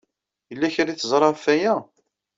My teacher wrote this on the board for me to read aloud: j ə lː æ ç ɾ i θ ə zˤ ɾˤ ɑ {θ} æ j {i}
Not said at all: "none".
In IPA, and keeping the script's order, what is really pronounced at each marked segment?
f, æ

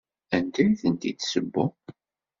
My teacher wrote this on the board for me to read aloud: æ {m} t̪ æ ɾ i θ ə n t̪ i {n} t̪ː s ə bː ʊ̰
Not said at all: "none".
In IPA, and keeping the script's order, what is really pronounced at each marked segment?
n, none

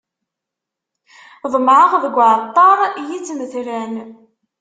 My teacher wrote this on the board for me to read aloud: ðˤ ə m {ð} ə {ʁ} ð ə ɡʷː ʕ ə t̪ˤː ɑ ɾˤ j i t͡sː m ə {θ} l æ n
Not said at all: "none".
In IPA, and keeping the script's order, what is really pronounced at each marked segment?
ʕ, ʁ, θ

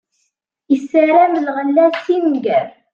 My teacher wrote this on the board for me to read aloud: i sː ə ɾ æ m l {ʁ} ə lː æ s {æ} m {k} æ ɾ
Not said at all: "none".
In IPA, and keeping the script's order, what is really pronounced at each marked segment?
ʁ, i, ɡ

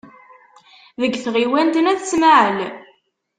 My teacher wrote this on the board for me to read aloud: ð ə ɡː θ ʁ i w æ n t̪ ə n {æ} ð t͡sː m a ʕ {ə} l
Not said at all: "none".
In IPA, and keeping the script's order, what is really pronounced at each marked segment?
æ, ə

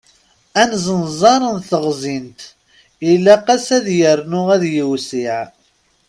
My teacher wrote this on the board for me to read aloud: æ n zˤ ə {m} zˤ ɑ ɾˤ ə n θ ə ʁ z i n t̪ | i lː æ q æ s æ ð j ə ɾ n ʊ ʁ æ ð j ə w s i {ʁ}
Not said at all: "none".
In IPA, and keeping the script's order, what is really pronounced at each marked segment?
n, ʕ

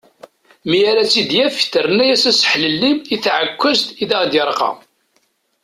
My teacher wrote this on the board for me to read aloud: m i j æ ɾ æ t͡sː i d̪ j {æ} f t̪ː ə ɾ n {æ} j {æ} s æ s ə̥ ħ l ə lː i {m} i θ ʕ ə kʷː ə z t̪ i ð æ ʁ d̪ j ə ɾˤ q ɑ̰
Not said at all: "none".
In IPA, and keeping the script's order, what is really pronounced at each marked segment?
æ, æ, æ, m

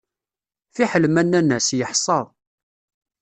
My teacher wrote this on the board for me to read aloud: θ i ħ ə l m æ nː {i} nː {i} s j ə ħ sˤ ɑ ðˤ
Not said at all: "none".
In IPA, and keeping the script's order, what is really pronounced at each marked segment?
æ, æ

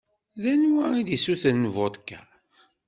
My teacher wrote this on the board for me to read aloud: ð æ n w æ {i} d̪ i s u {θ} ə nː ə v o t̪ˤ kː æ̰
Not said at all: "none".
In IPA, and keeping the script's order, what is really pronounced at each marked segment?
i, θ

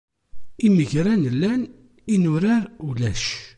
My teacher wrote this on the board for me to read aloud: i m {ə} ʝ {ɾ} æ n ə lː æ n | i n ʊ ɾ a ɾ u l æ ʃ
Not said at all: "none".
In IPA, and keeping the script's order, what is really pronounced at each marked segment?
ə, ɾ

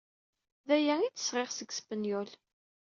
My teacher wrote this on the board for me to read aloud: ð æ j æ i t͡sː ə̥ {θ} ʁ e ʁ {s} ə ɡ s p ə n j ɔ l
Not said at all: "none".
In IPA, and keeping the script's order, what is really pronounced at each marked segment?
s, s

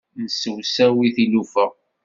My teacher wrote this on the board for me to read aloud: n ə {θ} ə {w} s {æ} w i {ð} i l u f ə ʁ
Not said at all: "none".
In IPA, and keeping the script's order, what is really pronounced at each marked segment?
s, w, æ, θ

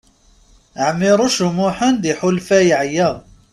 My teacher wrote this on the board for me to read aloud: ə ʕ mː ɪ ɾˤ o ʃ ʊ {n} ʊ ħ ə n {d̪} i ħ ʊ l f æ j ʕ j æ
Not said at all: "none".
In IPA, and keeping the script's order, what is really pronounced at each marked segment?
m, d̪

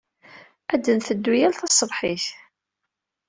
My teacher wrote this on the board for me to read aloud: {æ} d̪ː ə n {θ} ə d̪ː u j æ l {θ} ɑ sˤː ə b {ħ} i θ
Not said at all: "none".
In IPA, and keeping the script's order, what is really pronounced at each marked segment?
æ, θ, θ, ħ

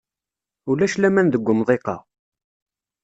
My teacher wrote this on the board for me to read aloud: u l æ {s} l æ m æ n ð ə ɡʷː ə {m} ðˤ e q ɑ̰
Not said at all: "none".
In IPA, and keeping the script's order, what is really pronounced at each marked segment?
ʃ, m

